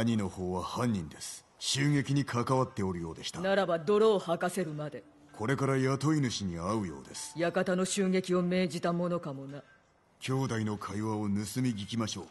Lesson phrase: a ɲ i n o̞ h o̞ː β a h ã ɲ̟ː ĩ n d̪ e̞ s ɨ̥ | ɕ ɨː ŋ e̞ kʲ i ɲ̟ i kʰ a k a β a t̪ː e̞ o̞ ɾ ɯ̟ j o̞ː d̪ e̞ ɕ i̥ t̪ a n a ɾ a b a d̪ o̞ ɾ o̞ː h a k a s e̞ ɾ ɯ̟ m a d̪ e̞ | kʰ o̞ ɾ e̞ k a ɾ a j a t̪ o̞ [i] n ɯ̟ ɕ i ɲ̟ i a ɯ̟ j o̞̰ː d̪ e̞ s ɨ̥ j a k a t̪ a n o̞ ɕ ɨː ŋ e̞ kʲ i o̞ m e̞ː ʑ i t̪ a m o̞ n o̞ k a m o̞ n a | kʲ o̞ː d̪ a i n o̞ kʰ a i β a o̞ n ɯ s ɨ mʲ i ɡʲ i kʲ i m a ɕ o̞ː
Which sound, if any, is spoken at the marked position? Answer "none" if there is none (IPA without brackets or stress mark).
i